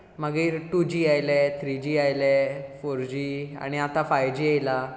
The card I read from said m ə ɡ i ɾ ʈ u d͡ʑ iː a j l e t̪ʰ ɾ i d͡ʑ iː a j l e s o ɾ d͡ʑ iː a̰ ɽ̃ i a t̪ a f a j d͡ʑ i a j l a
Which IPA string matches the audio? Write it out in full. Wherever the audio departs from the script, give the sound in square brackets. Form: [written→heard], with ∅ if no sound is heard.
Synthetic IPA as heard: m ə ɡ i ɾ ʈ u d͡ʑ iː a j l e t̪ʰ ɾ i d͡ʑ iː a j l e [s→f] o ɾ d͡ʑ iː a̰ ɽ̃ i a t̪ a f a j d͡ʑ i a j l a